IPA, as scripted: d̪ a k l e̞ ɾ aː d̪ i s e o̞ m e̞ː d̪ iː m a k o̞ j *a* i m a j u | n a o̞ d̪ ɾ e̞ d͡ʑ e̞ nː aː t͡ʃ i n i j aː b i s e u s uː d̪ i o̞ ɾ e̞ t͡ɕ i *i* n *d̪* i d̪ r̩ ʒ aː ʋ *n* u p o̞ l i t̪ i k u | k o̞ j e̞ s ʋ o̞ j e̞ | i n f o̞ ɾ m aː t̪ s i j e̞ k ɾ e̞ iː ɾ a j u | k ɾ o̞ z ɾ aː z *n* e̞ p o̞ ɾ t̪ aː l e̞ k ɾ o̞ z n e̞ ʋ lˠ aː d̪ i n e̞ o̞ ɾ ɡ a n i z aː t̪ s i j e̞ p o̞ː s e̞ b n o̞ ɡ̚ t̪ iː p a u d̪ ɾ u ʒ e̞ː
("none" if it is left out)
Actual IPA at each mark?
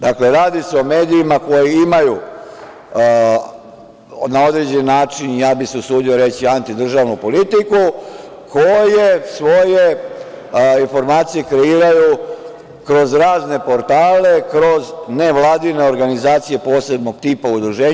i, a, t̪, n, n

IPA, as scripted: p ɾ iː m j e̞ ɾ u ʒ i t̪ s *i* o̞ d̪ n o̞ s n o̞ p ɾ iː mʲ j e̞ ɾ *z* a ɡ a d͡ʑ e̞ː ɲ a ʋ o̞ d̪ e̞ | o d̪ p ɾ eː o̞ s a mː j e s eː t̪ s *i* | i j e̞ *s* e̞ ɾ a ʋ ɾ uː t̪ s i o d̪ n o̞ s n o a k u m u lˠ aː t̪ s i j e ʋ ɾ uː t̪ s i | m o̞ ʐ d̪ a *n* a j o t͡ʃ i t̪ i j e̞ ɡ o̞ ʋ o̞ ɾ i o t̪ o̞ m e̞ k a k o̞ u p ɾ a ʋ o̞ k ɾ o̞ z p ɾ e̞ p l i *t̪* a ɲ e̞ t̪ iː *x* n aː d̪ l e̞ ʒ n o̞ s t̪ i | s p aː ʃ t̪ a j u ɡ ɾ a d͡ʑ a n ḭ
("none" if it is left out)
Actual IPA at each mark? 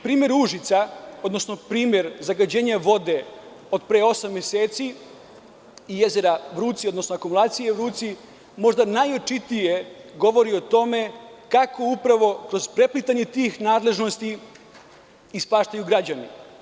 a, z, i, z, n, t̪, x

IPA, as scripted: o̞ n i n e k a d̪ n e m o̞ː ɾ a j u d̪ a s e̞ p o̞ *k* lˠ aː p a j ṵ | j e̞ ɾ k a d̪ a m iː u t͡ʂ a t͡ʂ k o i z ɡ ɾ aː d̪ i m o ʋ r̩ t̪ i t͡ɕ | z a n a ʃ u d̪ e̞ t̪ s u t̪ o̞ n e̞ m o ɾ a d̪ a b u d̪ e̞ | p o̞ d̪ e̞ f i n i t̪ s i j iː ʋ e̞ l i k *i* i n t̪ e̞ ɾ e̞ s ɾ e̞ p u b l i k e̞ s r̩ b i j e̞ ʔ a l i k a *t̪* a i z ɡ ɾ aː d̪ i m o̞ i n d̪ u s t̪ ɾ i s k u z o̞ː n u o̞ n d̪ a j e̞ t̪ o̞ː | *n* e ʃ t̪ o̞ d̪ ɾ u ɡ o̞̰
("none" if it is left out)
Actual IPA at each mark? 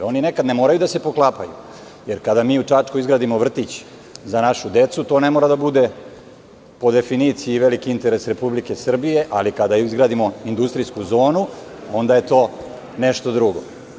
k, i, d̪, n

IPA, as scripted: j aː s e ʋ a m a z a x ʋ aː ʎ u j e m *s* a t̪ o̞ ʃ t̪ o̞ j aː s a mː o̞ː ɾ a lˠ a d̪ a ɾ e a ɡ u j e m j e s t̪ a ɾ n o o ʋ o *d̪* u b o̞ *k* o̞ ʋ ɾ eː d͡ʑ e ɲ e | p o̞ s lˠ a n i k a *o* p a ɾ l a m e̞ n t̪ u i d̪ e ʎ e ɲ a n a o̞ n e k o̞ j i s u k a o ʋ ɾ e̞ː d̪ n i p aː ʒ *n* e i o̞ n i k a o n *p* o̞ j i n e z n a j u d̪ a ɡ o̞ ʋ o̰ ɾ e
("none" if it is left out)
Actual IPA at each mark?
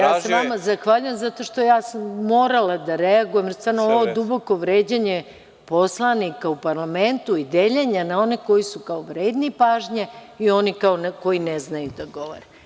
z, d̪, k, u, ɲ, k

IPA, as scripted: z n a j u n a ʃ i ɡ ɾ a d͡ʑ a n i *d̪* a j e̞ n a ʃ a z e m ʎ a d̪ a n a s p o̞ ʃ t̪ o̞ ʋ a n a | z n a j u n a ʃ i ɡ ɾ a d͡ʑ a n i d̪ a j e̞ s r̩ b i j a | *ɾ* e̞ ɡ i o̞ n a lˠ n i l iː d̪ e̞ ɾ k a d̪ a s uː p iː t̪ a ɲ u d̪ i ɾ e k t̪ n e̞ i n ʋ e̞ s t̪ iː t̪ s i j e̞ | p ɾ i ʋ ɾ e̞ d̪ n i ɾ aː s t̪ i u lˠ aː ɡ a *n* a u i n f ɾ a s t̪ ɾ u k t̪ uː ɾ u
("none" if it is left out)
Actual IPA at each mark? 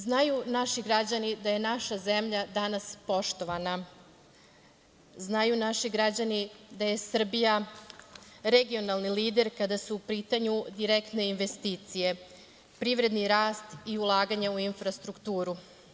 d̪, ɾ, ɲ

